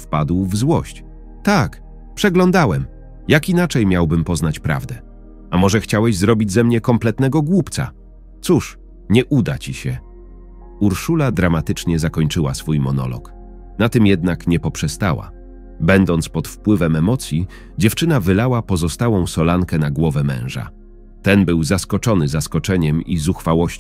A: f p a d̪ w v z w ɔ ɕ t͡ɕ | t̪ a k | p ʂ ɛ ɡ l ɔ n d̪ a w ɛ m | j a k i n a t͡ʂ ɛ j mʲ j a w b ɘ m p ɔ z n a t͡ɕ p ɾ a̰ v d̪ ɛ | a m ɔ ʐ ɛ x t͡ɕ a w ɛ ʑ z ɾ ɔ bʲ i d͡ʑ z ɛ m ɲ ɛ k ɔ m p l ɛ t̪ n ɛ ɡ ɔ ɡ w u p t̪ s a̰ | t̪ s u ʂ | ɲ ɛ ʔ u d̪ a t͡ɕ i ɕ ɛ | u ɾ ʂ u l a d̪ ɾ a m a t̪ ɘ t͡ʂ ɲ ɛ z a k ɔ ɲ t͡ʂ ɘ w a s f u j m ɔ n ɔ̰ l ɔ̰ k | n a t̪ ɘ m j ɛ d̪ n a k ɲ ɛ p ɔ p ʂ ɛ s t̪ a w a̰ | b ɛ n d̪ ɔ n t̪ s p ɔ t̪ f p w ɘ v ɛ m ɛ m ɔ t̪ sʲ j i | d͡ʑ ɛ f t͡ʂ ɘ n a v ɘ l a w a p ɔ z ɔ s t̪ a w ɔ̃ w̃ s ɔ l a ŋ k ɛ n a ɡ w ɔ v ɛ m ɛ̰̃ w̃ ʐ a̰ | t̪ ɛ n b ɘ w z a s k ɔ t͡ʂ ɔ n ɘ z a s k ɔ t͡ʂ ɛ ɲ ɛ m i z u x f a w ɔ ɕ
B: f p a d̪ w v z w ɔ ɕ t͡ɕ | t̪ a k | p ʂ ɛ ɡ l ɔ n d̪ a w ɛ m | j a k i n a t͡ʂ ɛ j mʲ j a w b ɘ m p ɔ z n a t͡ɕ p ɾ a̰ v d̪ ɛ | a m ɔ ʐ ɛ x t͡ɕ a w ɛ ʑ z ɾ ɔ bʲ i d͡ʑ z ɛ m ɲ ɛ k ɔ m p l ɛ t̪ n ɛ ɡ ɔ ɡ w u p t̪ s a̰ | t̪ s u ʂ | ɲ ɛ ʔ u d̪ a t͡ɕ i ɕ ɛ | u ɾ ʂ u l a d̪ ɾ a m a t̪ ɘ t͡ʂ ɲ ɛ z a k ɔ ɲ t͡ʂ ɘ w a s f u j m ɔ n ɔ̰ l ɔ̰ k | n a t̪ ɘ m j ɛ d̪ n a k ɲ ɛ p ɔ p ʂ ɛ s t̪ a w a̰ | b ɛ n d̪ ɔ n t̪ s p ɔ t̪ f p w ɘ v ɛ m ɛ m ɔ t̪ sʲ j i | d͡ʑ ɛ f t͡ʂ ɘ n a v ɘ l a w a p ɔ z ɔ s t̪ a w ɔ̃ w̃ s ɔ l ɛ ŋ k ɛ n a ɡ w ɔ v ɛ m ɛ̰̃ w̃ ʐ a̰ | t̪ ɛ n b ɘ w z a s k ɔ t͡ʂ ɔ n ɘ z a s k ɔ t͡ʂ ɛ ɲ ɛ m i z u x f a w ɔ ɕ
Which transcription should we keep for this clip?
A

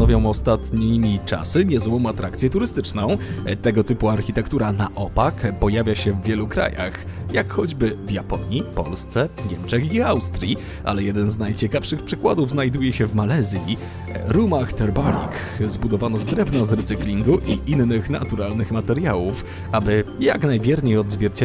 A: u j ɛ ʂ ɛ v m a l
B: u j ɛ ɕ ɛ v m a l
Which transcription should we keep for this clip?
B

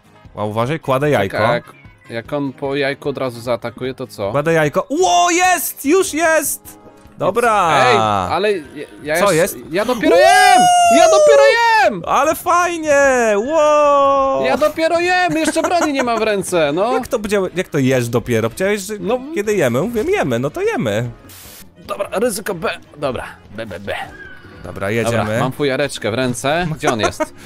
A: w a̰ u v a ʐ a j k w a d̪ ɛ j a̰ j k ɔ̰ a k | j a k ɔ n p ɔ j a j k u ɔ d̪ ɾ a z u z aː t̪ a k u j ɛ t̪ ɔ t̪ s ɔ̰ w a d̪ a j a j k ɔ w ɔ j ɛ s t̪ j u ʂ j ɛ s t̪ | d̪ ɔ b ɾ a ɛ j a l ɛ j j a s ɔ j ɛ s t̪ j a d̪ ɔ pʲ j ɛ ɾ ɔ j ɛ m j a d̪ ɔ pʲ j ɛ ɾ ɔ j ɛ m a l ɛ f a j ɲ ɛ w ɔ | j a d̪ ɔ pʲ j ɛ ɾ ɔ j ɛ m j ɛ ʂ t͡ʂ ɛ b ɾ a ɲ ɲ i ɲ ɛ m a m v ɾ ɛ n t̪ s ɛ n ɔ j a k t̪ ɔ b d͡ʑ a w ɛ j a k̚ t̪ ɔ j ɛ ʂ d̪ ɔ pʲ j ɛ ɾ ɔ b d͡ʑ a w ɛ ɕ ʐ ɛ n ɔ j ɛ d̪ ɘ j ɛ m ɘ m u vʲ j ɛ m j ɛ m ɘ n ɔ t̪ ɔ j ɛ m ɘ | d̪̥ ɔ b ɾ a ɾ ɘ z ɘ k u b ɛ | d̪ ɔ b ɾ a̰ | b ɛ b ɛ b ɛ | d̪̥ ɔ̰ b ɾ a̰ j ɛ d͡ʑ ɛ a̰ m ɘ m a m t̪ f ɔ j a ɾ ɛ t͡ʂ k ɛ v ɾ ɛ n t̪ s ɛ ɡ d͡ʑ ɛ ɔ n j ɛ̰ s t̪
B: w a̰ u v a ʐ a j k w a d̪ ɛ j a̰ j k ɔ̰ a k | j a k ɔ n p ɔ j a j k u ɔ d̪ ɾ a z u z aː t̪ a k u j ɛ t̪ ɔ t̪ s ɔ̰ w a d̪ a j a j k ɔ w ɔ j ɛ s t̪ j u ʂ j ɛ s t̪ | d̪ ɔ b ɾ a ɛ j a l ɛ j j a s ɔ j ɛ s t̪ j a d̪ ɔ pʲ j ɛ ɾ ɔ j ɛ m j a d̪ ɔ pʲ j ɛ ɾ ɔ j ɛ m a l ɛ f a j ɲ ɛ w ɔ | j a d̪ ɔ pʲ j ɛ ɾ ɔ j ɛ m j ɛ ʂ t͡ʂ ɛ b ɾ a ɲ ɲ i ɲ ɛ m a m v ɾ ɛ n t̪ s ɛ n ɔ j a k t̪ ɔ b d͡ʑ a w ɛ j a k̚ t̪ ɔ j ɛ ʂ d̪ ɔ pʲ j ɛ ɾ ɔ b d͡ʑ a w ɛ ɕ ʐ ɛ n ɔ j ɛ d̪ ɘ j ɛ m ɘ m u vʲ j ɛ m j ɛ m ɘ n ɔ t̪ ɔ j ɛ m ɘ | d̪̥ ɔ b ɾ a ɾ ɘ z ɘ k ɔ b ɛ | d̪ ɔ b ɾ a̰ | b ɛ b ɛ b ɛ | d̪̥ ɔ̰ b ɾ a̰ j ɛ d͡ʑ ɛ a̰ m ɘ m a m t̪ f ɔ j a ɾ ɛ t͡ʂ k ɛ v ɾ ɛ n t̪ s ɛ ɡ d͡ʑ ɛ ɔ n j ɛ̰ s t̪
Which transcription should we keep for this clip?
B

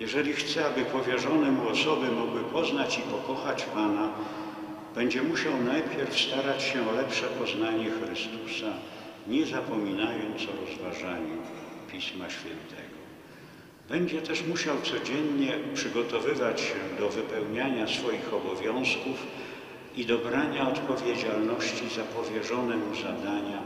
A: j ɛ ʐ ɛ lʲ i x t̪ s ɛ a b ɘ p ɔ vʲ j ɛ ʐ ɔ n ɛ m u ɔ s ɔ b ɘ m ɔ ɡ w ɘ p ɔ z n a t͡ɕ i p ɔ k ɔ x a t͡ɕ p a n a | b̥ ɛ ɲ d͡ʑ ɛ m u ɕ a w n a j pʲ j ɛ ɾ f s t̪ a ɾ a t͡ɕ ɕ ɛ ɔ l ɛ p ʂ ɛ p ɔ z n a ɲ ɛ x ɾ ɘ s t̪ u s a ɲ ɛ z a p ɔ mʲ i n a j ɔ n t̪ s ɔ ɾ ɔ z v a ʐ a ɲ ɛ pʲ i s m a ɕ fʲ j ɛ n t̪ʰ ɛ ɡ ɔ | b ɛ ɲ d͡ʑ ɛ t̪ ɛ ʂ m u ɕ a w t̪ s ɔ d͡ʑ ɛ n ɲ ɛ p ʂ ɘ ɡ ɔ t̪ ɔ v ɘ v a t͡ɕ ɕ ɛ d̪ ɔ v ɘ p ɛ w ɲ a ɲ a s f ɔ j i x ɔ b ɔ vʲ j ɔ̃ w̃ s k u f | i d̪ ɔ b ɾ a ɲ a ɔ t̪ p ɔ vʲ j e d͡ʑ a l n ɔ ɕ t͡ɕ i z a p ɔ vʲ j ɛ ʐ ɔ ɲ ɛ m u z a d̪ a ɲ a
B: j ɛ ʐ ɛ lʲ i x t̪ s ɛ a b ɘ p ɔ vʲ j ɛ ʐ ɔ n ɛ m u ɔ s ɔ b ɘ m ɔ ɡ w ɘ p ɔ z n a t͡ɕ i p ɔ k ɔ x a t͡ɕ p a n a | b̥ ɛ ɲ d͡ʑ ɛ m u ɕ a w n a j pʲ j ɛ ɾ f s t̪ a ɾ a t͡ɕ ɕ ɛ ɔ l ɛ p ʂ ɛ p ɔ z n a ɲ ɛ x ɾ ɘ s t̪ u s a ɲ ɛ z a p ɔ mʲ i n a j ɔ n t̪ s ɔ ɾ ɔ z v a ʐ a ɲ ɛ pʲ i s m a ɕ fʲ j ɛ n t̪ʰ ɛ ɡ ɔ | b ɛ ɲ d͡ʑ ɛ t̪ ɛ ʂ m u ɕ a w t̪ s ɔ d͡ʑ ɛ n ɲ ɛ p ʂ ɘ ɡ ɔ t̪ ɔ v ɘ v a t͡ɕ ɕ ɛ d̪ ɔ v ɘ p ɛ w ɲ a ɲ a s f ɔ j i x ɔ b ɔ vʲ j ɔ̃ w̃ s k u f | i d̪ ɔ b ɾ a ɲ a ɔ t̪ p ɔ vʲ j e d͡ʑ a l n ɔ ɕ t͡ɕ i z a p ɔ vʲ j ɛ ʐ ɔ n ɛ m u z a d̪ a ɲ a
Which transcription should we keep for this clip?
B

